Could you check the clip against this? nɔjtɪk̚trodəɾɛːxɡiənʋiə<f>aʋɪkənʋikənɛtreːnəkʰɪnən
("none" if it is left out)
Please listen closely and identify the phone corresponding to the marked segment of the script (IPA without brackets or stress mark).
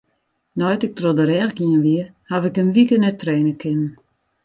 h